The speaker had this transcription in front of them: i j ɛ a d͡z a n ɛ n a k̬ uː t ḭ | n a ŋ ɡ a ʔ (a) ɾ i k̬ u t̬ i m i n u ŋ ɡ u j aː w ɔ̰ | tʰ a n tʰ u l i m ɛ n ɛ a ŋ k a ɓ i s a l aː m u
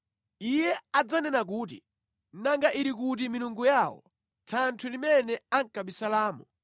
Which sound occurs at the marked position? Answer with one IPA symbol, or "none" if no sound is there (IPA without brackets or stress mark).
i